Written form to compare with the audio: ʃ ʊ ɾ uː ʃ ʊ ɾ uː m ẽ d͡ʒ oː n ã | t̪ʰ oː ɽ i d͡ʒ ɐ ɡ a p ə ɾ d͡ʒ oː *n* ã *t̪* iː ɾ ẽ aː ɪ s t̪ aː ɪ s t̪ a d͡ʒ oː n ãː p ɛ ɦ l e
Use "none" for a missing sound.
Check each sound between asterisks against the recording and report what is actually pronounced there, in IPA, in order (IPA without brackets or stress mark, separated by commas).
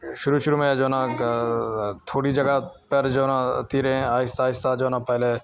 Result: n, t̪